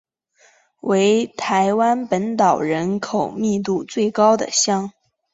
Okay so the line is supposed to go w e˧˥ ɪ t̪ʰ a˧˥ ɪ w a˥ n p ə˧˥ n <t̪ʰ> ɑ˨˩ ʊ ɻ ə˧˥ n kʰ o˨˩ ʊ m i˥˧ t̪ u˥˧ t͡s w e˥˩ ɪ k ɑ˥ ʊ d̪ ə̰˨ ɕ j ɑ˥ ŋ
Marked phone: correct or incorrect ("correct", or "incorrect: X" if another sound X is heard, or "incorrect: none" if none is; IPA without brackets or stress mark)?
incorrect: t̪